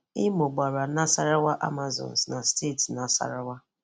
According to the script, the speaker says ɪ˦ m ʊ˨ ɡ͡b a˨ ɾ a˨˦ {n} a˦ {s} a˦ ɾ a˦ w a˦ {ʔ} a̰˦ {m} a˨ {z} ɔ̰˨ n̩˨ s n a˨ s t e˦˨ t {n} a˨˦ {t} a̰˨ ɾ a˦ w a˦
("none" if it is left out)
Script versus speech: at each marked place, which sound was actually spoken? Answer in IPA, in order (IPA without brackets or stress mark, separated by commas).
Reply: n, s, ʔ, m, z, n, s